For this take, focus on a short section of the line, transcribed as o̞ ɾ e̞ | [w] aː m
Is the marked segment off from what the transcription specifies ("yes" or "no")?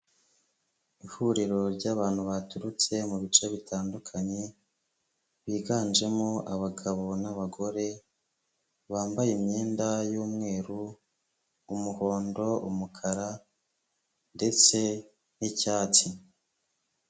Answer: yes